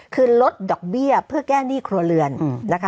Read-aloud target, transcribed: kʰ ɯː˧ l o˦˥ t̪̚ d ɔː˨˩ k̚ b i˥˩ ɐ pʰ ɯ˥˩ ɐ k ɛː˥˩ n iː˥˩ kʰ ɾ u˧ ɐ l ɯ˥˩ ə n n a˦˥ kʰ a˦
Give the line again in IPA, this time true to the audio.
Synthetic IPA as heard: kʰ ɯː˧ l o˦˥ t̪̚ d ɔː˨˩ k̚ b i˥˩ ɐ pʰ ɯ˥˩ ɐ k ɛː˥˩ n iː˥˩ kʰ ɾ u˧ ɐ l ɯ˧ ə n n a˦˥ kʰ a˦

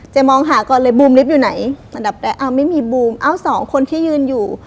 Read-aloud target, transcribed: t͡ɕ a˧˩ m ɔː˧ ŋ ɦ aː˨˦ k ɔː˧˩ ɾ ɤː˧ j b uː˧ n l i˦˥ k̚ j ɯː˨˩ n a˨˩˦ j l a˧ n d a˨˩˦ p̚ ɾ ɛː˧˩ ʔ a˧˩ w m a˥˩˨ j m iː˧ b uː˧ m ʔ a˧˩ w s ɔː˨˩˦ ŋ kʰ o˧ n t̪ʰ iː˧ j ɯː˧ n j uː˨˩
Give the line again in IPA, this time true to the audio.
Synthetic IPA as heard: t͡ɕ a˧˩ m ɔː˧ ŋ ɦ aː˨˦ k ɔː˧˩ l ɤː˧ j b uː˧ m l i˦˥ p̚ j uː˨˩ n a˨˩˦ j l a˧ n d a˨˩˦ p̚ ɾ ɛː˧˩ ʔ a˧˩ w m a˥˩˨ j m iː˧ b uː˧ m ʔ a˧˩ w s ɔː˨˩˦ ŋ kʰ o˧ n t̪ʰ iː˥˩˨ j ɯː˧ n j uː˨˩

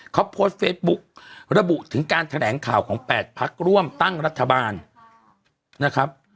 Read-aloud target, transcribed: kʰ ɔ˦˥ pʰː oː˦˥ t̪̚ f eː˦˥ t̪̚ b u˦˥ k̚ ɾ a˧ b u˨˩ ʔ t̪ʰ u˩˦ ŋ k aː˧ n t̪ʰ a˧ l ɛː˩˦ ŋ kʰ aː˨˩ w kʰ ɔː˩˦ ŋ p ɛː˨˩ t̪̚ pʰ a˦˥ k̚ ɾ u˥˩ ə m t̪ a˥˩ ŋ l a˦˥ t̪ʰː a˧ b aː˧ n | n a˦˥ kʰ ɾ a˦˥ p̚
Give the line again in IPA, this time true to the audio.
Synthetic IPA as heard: kʰ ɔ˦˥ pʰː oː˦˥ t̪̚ f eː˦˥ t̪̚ b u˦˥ k̚ ɾ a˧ b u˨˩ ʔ t̪ʰ ɯ˩˦ ŋ k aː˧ n t̪ʰ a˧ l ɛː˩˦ ŋ kʰ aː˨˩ w kʰ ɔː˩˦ ŋ p ɛː˨˩ t̪̚ pʰ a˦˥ k̚ ɾ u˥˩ ə m t̪ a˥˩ ŋ ɾ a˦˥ t̪ʰː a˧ b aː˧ n | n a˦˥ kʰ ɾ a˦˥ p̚

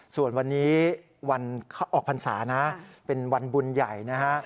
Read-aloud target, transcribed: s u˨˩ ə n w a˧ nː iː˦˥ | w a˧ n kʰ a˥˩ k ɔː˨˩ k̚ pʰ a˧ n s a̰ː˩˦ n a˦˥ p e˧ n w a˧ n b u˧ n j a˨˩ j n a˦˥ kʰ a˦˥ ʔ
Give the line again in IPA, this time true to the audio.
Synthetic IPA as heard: s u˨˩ ə n w a˧ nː iː˦˥ | w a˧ n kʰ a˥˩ ʔ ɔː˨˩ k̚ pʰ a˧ n s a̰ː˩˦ n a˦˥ p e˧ n w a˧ n b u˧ n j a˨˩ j n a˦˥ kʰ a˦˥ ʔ

